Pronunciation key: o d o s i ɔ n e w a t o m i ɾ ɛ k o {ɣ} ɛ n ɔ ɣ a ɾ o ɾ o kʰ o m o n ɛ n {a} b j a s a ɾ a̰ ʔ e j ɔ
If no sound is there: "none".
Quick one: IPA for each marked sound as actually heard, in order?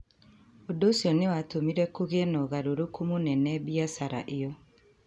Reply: ɣ, ɛ

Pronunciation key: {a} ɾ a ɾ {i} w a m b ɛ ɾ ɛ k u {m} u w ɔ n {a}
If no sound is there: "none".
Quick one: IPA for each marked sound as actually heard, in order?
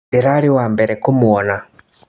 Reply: i, i, m, a

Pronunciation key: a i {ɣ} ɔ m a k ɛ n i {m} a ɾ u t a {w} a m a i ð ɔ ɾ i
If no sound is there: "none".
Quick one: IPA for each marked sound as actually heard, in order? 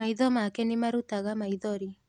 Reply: ð, m, ɣ

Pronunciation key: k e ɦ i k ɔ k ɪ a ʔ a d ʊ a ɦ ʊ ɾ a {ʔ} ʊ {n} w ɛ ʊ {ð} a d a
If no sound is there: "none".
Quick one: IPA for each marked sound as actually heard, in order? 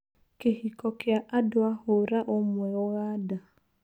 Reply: ʔ, m, ɣ

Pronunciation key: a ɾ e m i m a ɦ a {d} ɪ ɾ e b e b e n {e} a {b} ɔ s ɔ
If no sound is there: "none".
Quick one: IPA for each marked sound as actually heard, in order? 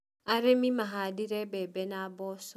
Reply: d, a, b

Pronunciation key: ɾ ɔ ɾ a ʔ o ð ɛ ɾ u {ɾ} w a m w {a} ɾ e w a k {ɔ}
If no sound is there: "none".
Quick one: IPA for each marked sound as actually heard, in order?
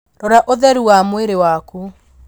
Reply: none, e, u

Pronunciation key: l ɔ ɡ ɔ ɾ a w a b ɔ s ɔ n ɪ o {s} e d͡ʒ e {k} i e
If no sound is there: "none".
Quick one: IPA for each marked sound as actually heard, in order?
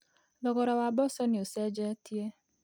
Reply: s, t

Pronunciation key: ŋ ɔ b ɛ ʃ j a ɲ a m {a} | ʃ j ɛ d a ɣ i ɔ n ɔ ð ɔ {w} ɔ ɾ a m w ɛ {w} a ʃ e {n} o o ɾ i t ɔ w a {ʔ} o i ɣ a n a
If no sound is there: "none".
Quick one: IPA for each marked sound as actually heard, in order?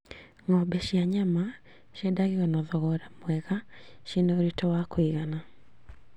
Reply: a, ɣ, ɣ, n, k

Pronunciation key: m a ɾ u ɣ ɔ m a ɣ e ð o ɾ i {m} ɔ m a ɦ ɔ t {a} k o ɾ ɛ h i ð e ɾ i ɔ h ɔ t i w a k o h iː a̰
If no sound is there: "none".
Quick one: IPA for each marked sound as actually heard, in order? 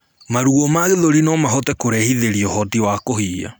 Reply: n, ɛ

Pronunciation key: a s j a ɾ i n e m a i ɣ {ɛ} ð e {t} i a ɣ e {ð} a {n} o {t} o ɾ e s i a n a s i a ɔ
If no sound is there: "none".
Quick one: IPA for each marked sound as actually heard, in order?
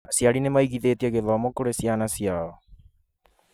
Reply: i, t, ð, m, k

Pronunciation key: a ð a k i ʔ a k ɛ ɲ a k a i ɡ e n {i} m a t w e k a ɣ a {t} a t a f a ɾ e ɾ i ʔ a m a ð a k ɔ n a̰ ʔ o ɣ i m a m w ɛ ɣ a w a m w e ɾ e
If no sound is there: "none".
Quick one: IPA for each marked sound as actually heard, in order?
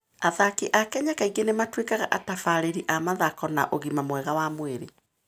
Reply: e, ʔ

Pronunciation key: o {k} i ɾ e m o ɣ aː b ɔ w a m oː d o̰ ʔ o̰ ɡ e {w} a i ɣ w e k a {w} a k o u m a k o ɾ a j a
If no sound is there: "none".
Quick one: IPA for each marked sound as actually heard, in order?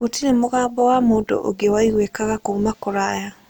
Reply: t, w, ɣ

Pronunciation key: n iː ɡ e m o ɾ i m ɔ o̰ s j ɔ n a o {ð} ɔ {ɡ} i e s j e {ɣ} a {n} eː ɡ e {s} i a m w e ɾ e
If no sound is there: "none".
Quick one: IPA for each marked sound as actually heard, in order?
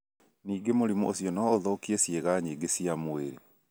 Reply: ð, k, ɣ, ɲ, s

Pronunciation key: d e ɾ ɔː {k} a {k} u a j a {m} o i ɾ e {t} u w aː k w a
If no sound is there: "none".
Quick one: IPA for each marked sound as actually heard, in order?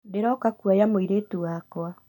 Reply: k, k, m, t

